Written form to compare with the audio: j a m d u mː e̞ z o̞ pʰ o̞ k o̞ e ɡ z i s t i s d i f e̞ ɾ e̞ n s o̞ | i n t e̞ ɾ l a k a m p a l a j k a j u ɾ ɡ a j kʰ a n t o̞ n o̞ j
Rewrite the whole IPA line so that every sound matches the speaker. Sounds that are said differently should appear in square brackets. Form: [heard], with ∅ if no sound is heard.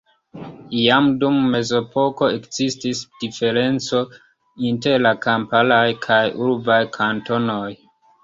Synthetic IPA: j a m d u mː e̞ z o̞ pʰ o̞ k o̞ e [k] z i s t i s d i f e̞ ɾ e̞ n [t͡s] o̞ | i n t e̞ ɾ l a k a m p a l a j [kʰ] a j u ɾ [b] a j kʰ a n t o̞ n o̞ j